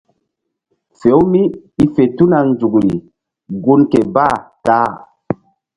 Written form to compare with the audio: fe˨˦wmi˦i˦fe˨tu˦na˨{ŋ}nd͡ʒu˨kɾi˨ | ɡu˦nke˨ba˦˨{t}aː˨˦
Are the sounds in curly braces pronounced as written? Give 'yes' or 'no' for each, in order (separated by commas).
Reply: yes, yes